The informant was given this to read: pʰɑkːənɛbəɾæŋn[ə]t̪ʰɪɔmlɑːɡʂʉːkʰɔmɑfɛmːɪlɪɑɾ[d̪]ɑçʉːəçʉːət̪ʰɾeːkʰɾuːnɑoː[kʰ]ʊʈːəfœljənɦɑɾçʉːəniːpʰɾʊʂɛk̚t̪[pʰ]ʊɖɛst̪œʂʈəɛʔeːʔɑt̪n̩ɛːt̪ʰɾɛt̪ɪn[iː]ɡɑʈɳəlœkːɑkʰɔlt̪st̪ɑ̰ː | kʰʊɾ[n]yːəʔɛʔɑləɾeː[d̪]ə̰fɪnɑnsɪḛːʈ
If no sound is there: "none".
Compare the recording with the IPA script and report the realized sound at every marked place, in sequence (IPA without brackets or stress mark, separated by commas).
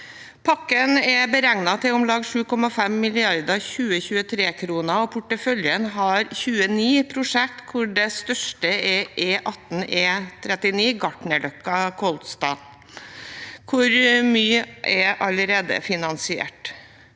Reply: ɑ, d̪, pʰ, kʰ, iː, m, d̪